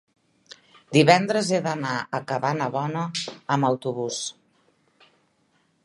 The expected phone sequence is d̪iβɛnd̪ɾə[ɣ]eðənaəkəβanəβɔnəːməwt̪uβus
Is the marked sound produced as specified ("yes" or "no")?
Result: no